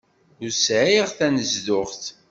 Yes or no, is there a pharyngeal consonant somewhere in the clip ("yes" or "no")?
yes